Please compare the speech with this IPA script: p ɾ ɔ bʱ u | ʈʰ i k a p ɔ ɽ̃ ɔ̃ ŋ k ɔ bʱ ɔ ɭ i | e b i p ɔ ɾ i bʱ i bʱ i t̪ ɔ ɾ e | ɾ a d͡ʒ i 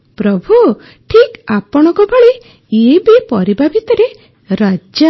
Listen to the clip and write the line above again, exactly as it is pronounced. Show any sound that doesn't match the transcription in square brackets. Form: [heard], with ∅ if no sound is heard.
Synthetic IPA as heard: p ɾ ɔ bʱ u | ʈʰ i k a p ɔ ɽ̃ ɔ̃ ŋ k ɔ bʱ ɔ ɭ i | e b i p ɔ ɾ i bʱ [a] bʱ i t̪ ɔ ɾ e | ɾ a d͡ʒ [a]